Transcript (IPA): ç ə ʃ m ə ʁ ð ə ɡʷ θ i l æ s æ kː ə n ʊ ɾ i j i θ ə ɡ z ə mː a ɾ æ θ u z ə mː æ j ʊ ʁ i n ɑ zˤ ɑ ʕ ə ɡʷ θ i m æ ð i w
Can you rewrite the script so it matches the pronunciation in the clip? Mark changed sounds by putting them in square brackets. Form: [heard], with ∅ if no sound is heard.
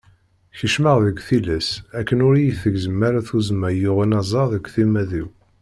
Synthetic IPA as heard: ç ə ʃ m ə ʁ ð ə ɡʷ θ i l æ s æ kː ə n ʊ ɾ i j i θ ə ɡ z ə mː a ɾ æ θ u z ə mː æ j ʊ ʁ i n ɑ zˤ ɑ [ð] ə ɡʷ θ i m æ ð i w